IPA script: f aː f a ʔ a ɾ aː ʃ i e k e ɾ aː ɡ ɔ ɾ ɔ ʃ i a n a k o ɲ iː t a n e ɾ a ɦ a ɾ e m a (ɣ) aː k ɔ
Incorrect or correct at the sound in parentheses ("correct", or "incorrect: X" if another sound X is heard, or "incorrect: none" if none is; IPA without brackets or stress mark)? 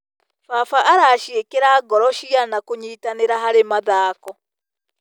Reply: incorrect: ð